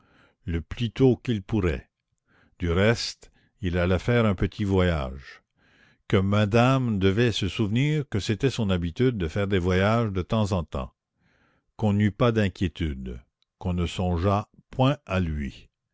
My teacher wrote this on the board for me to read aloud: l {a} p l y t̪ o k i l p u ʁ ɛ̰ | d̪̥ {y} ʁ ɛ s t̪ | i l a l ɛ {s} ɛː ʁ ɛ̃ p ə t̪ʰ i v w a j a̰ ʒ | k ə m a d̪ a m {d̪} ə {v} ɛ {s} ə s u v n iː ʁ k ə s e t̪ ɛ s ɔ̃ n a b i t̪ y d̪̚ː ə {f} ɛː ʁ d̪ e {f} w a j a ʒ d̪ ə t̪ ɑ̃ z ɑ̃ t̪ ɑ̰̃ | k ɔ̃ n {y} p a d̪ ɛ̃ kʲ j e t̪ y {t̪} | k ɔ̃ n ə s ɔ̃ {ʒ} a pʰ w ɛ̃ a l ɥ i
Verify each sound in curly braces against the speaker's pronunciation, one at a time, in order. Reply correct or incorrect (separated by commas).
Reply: incorrect, correct, incorrect, correct, correct, correct, correct, incorrect, correct, incorrect, correct